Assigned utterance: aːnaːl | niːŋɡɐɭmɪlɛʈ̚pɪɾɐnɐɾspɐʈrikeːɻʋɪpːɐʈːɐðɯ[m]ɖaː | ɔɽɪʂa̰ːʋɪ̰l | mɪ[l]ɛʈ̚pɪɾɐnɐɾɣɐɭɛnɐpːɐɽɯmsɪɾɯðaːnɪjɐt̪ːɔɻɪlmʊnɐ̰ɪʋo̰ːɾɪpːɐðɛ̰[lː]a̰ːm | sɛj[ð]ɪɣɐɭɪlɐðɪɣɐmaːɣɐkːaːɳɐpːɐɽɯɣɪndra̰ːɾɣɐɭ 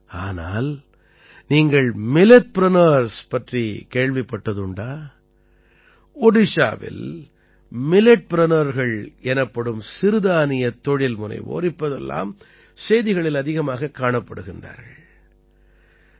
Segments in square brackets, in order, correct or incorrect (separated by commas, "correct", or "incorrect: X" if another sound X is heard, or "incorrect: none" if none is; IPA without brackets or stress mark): incorrect: ɳ, correct, correct, correct